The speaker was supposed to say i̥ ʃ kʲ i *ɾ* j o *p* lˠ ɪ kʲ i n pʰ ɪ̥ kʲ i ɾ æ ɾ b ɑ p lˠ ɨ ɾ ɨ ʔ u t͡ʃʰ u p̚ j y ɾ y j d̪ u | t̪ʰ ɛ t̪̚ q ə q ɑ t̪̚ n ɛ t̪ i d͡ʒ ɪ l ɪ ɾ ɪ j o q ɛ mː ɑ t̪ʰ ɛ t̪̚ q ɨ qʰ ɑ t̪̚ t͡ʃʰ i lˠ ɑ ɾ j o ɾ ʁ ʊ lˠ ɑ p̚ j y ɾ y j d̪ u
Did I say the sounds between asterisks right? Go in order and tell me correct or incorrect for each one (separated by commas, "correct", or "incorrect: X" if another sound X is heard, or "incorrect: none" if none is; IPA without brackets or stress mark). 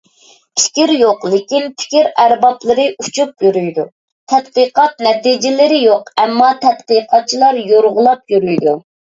correct, incorrect: q